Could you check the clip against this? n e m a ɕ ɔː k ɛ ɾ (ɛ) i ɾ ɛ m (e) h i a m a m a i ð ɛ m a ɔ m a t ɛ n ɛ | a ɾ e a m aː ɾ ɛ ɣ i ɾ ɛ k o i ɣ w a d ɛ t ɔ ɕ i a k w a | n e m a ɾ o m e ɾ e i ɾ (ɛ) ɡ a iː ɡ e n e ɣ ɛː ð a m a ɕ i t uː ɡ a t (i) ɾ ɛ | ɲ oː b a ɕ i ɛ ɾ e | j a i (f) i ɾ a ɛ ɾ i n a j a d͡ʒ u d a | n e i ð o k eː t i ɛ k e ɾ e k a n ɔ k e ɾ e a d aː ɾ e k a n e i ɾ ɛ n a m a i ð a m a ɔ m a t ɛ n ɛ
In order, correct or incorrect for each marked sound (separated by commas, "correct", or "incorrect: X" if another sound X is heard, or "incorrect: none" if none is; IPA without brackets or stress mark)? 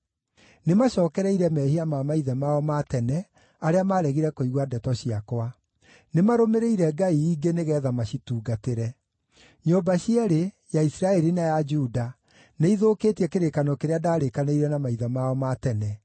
correct, incorrect: ɛ, correct, incorrect: e, incorrect: s